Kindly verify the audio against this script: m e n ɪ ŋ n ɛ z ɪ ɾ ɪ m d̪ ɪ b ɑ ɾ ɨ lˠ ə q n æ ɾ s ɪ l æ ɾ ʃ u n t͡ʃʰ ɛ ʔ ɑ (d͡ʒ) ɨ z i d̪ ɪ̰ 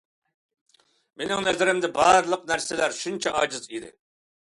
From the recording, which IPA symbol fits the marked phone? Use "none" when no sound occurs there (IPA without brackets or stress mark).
d͡ʒ